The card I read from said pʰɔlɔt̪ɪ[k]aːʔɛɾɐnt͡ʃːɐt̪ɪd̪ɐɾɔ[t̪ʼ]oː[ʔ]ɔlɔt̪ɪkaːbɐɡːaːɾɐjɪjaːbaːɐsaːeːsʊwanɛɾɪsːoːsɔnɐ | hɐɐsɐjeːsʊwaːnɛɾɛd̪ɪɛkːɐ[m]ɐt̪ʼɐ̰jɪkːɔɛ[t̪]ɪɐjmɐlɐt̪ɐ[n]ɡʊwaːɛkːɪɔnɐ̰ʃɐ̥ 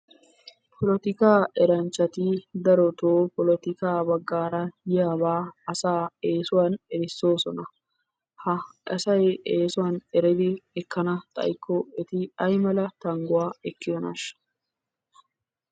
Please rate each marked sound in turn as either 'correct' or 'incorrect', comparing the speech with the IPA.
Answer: correct, incorrect: t̪, incorrect: p, incorrect: n, correct, incorrect: ŋ

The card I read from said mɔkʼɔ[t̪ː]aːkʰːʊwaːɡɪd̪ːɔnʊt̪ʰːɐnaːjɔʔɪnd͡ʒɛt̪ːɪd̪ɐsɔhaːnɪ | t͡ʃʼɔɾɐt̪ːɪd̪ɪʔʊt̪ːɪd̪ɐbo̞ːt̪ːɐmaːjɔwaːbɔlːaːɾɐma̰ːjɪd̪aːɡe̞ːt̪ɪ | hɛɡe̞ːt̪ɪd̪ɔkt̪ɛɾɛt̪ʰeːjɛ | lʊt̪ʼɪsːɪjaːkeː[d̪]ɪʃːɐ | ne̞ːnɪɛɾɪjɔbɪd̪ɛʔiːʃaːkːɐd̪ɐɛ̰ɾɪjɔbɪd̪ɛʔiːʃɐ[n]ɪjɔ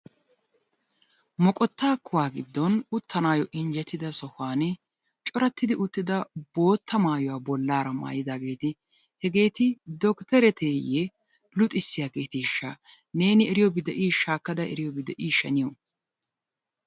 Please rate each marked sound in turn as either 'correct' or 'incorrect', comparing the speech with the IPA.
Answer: correct, incorrect: t̪, correct

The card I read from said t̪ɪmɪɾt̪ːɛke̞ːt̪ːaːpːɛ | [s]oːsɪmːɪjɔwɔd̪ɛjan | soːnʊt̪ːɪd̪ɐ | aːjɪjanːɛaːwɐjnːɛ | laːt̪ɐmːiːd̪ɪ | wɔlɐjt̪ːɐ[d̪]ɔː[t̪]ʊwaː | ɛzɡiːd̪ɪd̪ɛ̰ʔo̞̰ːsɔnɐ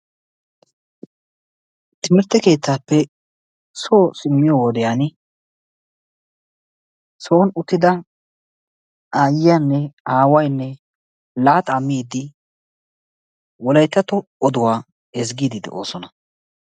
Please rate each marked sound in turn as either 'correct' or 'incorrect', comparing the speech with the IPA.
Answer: correct, incorrect: t̪, incorrect: d̪

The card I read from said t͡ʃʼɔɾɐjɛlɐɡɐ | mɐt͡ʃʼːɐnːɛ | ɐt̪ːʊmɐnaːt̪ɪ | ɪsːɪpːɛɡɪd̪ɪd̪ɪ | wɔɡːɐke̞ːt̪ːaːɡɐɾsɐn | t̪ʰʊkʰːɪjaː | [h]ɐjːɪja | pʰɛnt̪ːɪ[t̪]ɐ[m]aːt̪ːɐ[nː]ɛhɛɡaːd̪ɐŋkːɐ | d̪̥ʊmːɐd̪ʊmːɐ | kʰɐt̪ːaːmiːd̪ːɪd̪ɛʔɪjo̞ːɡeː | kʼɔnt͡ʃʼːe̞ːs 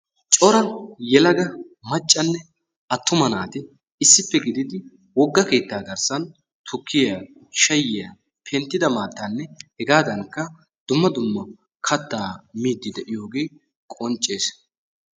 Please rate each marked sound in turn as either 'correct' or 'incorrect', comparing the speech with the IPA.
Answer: incorrect: ʃ, incorrect: d̪, correct, correct

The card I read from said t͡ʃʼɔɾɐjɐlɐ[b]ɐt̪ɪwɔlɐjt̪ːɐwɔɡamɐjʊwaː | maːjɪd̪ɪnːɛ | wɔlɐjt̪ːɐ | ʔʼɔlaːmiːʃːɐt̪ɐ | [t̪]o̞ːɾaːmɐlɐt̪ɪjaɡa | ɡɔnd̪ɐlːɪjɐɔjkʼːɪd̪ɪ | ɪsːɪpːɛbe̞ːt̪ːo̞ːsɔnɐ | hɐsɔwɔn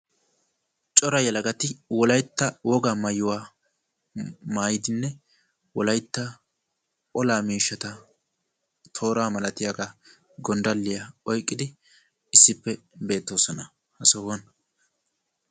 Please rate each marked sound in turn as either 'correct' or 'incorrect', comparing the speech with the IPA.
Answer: incorrect: ɡ, incorrect: t̪ʰ

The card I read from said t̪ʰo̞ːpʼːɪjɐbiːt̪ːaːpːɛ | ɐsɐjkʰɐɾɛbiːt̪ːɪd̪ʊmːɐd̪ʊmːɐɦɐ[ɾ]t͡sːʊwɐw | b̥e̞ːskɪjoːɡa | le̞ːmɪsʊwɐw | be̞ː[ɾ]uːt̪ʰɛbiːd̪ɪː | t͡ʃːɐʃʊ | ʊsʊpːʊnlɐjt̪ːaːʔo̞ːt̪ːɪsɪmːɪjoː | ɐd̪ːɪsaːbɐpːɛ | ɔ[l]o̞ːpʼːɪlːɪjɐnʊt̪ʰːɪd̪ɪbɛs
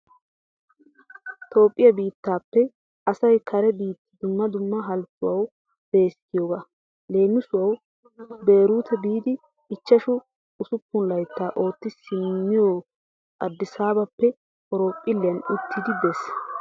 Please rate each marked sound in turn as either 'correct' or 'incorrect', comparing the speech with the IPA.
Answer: incorrect: l, correct, incorrect: ɾ

